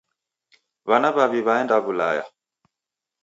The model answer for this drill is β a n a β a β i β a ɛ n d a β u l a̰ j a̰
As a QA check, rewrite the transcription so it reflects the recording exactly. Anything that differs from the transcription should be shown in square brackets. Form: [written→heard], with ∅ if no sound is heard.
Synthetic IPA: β a n a β a β i β a ɛ n d a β u l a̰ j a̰